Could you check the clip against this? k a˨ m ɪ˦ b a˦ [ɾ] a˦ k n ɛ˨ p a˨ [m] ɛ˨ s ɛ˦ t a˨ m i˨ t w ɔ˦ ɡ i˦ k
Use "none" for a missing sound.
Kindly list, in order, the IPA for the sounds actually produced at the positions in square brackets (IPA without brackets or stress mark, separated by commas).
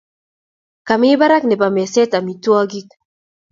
ɾ, m